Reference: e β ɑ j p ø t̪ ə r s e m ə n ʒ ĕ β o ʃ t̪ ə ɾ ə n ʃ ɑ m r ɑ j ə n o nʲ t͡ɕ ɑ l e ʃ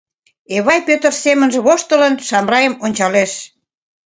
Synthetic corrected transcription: e β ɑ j p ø t̪ ə r s e m ə n ʒ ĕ β o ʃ t̪ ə l ə n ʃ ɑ m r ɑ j ə m o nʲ t͡ɕ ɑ l e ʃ